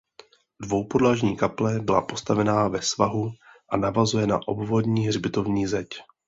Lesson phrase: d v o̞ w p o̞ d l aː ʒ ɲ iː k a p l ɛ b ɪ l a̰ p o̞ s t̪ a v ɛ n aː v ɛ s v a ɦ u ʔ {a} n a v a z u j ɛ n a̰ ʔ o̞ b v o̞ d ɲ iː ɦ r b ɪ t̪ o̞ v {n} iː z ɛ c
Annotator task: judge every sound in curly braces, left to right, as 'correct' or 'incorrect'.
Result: correct, incorrect: ɲ

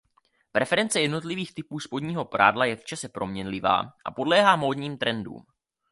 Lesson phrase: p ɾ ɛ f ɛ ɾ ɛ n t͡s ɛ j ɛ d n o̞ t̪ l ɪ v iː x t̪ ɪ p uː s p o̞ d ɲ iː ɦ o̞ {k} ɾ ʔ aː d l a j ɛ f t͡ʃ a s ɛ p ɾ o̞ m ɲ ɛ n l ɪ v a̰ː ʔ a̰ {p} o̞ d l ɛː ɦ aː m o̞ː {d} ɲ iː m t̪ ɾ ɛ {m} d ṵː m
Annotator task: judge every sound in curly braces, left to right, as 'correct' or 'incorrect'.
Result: incorrect: p, correct, correct, incorrect: n

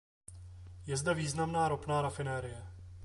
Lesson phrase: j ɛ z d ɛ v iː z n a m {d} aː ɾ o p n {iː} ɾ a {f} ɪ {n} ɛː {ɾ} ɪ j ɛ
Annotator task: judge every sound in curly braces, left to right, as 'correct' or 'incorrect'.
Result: incorrect: n, incorrect: aː, correct, correct, correct

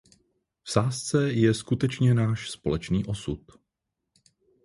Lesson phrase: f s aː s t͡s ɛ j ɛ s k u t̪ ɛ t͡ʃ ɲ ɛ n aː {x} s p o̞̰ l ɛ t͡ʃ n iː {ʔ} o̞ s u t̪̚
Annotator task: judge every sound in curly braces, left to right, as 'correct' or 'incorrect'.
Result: incorrect: ʃ, correct

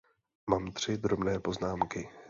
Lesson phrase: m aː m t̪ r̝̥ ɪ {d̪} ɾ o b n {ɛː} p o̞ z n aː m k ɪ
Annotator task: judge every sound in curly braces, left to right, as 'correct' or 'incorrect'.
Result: correct, correct

